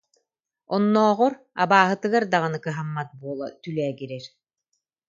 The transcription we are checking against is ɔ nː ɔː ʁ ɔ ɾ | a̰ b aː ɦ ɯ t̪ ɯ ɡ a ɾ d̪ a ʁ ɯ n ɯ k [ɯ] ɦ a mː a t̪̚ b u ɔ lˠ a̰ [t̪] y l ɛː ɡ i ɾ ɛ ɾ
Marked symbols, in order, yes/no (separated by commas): yes, yes